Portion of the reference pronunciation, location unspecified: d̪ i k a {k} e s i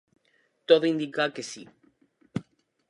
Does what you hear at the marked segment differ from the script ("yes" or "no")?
no